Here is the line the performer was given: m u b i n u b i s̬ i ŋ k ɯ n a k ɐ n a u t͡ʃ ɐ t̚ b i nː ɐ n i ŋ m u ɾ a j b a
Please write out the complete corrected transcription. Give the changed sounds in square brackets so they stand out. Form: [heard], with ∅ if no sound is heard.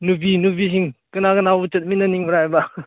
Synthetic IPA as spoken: [n] u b i n u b i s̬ i ŋ k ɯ n a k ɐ n a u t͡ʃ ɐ t̚ [m] i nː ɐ n i ŋ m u ɾ a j b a